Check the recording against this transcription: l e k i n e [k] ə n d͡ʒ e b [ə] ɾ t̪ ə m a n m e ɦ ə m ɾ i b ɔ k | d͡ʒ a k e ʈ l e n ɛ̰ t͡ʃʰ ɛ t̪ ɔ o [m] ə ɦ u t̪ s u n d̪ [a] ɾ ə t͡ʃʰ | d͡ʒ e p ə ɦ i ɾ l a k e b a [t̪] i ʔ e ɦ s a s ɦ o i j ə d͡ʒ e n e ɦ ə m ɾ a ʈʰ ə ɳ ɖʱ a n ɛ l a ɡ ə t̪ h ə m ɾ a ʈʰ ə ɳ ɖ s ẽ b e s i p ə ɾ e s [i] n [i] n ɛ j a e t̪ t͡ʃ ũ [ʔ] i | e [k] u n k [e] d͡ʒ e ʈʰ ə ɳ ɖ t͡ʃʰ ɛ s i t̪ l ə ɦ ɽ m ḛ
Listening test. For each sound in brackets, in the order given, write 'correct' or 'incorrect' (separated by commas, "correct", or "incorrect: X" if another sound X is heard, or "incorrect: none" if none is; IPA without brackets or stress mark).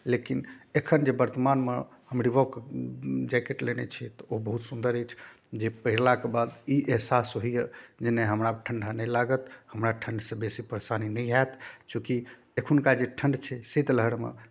incorrect: kʰ, correct, incorrect: b, incorrect: ə, incorrect: d̪, incorrect: a, correct, incorrect: k, incorrect: kʰ, incorrect: a